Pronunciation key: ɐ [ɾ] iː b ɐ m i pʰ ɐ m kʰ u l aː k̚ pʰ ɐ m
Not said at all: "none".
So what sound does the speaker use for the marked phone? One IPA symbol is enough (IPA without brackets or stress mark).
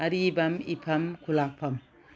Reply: ɾ